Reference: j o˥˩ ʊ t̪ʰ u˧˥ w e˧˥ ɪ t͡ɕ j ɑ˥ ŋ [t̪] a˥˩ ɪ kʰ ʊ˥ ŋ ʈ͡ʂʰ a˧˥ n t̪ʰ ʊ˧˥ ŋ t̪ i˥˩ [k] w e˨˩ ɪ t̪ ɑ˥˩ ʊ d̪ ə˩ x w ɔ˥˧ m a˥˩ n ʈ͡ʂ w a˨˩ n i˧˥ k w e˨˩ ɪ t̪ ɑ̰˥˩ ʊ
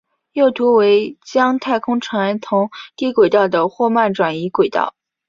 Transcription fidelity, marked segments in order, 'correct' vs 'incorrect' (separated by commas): incorrect, correct